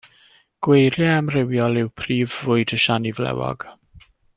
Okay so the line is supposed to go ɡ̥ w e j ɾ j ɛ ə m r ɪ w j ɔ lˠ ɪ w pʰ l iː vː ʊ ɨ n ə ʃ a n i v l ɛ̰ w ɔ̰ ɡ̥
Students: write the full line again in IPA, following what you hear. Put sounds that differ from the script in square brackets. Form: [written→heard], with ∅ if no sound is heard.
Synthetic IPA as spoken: ɡ̥ w e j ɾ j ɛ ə m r ɪ w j ɔ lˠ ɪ w pʰ [l→r] iː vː ʊ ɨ [n→d] ə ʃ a n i v l ɛ̰ w ɔ̰ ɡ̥

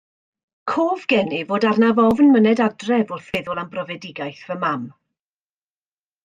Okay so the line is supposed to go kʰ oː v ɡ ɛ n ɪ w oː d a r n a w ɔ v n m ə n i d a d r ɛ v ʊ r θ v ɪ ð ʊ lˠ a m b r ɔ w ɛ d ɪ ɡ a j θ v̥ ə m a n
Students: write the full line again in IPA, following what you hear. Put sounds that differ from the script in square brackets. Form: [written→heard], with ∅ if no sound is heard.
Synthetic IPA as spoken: kʰ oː v ɡ ɛ n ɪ [w→v] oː d a r n a [w→v] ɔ v n m ə n [i→ɛ] d a d r ɛ v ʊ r θ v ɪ ð ʊ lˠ a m b r ɔ [w→v] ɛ d ɪ ɡ a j θ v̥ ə m a [n→m]

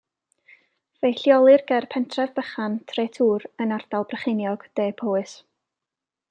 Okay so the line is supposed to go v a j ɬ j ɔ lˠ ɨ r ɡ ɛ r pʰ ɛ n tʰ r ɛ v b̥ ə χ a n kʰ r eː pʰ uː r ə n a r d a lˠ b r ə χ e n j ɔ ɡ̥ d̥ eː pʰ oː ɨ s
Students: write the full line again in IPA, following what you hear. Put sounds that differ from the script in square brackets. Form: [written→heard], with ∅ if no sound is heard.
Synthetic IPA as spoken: v [a→e] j ɬ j ɔ lˠ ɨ r ɡ ɛ r pʰ ɛ n tʰ r ɛ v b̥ ə χ a n [kʰ→tʰ] r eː [pʰ→tʰ] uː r ə n a r d a lˠ b r ə χ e n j ɔ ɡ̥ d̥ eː pʰ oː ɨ s

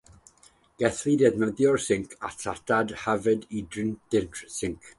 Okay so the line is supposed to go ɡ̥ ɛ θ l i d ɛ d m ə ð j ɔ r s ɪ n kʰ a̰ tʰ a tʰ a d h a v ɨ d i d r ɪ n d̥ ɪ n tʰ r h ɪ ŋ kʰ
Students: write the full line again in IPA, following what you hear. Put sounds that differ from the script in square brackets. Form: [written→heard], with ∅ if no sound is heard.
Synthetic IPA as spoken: ɡ̥ ɛ θ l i d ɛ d m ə ð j ɔ r s ɪ [n→ŋ] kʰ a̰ tʰ a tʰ a d h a v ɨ d i d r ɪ n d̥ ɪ n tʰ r [h→s] ɪ ŋ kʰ

